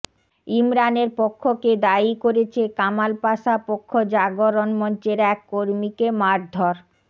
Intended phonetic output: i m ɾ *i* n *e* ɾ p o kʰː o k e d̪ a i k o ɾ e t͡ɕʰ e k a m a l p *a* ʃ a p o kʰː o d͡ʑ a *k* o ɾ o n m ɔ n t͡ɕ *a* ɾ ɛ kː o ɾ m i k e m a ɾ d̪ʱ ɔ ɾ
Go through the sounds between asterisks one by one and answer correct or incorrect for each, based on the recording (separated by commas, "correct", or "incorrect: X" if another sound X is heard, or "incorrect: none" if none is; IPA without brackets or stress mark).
incorrect: a, correct, correct, incorrect: ɡ, incorrect: e